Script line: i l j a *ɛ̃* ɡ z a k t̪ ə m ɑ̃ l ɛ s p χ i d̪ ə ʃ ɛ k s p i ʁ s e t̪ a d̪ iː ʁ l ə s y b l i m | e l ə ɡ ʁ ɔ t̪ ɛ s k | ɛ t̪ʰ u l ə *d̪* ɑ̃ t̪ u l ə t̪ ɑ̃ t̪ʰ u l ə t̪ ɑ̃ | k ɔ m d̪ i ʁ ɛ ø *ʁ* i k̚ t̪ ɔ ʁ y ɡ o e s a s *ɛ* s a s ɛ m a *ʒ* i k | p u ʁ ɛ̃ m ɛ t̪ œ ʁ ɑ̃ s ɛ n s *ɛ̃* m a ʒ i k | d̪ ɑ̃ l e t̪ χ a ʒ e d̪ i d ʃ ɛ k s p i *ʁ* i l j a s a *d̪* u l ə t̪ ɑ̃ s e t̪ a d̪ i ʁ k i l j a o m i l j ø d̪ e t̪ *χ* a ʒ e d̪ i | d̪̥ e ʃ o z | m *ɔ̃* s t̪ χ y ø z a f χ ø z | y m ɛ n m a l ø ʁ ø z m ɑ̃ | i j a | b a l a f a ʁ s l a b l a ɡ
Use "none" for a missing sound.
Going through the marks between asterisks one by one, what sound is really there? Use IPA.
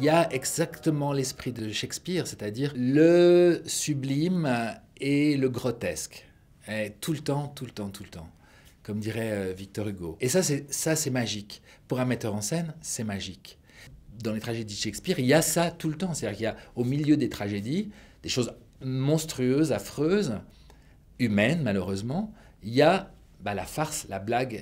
ɛ, t̪, v, ɛ, ʒ, ɛ, ʁ, t̪, χ, ɔ̃

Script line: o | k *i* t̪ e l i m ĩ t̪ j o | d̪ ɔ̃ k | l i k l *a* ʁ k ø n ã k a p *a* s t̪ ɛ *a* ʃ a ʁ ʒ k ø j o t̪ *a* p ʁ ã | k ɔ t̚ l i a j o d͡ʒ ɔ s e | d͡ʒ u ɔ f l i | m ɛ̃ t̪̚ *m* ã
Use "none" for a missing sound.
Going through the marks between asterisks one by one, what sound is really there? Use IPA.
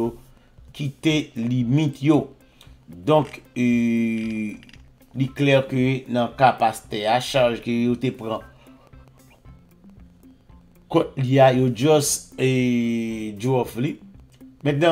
i, ɛ, a, a, e, n

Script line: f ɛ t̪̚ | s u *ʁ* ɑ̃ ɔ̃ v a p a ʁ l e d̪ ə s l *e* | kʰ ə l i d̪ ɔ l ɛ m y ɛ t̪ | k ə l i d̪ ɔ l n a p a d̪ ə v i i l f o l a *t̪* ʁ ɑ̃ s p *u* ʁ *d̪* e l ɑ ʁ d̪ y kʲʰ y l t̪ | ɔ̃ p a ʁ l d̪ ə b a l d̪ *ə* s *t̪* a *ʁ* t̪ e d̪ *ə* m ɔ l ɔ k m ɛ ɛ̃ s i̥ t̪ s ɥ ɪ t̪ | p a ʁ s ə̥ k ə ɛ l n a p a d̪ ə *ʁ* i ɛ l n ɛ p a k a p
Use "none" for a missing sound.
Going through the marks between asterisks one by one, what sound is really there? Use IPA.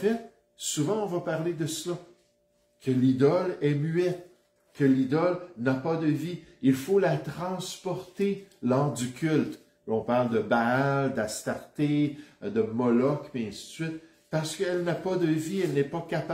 v, a, t̪, ɔ, t̪, a, t̪, ʁ, ə, v

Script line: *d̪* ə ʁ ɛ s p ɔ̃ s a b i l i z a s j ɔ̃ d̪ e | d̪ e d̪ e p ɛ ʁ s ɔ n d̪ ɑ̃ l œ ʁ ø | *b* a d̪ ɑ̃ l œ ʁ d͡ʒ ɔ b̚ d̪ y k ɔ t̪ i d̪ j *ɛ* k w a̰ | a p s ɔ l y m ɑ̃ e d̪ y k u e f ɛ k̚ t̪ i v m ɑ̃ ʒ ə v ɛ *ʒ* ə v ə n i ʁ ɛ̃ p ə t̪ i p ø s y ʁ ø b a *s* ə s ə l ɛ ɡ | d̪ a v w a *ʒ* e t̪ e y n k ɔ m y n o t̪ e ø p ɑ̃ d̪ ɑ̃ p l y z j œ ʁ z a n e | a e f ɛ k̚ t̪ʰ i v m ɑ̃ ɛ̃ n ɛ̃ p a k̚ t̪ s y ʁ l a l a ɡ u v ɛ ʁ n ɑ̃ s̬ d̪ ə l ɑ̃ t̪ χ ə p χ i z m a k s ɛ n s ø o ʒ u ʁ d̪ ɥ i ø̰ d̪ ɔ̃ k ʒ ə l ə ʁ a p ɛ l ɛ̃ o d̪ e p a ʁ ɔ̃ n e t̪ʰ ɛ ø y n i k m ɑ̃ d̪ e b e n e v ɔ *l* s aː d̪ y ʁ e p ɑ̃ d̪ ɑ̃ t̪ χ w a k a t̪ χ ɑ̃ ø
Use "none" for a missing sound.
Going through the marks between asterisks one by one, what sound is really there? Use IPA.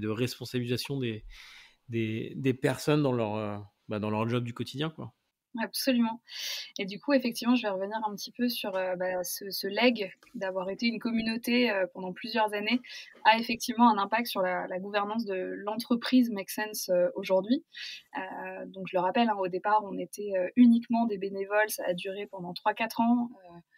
d̪, b, ɛ̃, ʁ, s, ʁ, l

